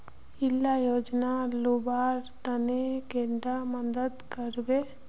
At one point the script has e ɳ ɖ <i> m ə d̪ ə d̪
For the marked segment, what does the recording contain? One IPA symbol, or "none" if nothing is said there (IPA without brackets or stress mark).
a